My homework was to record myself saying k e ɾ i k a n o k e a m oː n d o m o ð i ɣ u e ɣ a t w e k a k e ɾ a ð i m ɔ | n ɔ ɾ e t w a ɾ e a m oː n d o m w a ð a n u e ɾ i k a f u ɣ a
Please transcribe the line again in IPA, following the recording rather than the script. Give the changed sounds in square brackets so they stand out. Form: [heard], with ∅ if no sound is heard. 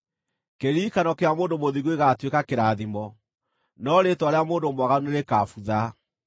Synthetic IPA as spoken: k e ɾ i k a n [ɔ] k e a m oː n d o m o ð i ɣ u e ɣ a t w e k a k e ɾ a ð i m ɔ | n ɔ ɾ e t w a ɾ e a m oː n d o m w a [ɣ] a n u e ɾ [e] k a f u [ð] a